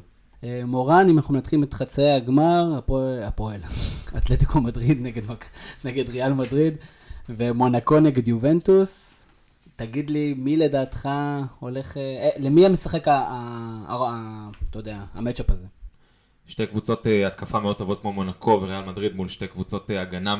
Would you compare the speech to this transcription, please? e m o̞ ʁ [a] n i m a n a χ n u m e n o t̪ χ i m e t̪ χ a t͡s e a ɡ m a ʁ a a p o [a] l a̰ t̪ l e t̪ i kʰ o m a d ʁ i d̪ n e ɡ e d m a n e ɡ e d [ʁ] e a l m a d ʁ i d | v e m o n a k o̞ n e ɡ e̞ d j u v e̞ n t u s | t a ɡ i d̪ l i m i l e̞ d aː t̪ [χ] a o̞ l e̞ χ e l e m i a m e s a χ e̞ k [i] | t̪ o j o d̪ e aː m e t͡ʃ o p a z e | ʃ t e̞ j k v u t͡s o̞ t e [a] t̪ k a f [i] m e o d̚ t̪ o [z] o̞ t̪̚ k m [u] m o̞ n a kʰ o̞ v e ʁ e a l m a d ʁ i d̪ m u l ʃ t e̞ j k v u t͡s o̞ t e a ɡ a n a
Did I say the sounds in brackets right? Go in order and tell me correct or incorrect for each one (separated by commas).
correct, incorrect, correct, correct, incorrect, correct, incorrect, incorrect, incorrect